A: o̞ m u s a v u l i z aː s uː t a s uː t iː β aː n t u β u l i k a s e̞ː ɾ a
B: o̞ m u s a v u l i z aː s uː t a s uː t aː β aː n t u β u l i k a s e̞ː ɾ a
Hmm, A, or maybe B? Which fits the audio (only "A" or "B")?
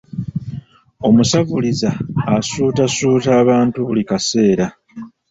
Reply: B